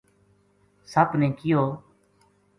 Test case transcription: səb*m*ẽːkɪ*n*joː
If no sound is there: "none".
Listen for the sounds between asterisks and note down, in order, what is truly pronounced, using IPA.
n, none

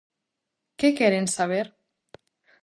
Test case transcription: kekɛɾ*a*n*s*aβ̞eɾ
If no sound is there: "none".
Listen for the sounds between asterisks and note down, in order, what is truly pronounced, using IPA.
e, s

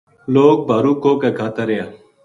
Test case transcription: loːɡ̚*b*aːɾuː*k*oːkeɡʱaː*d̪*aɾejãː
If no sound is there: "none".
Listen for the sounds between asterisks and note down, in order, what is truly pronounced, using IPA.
b, k, t̪

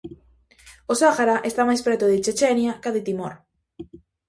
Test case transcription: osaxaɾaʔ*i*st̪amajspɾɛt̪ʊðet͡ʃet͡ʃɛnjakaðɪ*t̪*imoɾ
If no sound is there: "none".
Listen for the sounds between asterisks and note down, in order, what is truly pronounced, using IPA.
e, t̪

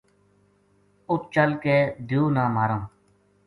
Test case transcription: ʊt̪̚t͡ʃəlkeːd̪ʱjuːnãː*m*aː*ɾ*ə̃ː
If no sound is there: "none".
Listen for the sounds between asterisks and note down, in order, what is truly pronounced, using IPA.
m, ɾ

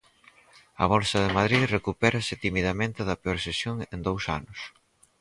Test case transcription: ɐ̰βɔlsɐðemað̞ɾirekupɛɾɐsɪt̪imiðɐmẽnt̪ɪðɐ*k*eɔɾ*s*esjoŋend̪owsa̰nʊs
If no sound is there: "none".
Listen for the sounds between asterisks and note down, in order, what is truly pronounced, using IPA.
p, s

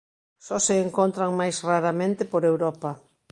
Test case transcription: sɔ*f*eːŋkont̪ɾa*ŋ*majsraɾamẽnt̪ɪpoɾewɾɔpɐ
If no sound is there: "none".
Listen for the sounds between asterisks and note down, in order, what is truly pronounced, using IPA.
s, ŋ

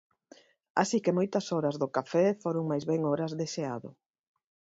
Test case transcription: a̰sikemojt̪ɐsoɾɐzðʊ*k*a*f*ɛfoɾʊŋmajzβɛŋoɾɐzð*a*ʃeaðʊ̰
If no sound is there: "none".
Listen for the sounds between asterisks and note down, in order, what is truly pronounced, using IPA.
k, f, e

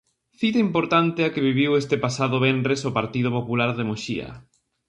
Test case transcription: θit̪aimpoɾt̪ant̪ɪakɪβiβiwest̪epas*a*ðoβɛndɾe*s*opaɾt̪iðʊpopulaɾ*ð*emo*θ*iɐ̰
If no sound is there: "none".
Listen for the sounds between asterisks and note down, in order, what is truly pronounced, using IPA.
a, s, ð, ʃ

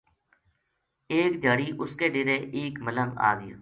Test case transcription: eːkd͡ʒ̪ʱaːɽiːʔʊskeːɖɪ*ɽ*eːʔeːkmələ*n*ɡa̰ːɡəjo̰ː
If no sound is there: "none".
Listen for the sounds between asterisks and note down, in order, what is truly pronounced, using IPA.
ɾ, ŋ

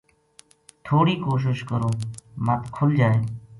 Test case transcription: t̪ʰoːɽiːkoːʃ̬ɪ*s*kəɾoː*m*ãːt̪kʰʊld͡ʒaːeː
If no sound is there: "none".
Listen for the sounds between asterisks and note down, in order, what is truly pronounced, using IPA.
ʃ, m

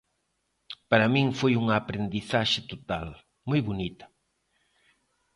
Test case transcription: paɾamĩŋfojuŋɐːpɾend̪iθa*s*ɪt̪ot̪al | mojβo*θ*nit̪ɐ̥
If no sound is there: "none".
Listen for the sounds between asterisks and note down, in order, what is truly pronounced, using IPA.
ʃ, none

